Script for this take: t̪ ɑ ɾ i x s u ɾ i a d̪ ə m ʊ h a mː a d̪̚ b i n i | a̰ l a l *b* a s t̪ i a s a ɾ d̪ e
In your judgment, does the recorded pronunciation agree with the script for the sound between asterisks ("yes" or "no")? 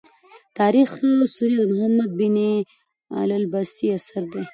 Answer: yes